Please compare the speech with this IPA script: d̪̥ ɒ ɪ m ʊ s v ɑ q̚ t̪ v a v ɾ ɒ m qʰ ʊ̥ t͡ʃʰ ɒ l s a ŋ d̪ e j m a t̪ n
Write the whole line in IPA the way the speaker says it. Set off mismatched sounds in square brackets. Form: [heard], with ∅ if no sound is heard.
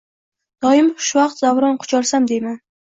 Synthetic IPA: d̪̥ ɒ ɪ m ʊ [ʃ] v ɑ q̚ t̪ [z] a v ɾ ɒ [n] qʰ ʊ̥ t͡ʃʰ ɒ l s a [m] d̪ e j m a [∅] n